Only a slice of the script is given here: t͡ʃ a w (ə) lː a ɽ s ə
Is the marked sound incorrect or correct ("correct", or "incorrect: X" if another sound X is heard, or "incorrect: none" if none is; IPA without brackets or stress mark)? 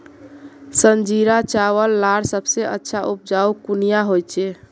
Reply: correct